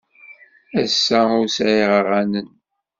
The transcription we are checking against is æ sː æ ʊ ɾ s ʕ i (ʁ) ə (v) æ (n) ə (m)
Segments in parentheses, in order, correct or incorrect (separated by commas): correct, incorrect, correct, incorrect